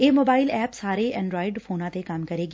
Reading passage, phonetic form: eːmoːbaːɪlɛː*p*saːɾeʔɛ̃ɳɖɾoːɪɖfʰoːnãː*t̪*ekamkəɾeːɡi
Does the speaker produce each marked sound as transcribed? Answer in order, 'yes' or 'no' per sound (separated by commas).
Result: yes, yes